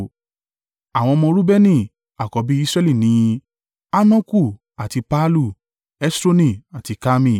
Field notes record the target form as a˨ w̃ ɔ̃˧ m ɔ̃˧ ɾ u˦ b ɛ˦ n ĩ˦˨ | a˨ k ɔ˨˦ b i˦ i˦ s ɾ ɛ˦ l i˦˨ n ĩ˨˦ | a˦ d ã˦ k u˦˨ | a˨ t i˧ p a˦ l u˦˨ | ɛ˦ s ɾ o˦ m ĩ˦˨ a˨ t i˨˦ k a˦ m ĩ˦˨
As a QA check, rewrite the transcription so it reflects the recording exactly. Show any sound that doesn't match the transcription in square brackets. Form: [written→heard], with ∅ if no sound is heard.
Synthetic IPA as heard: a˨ w̃ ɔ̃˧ m ɔ̃˧ ɾ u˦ b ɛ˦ n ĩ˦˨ | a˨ k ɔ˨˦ b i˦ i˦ s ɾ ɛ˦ l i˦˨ n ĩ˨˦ | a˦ [d→n] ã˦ k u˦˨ | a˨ t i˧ p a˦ l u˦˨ | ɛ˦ s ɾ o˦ [m→n] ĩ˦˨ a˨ t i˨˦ k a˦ m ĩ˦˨